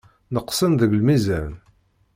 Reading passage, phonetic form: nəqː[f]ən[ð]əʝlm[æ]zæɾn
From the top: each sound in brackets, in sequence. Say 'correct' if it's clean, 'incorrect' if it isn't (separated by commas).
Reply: incorrect, correct, incorrect